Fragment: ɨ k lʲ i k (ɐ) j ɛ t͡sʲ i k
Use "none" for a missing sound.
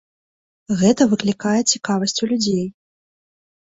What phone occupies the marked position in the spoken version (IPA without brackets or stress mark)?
a